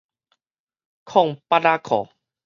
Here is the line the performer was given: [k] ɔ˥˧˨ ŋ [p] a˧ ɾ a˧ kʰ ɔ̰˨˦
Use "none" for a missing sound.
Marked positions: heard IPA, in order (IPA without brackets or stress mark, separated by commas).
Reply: kʰ, p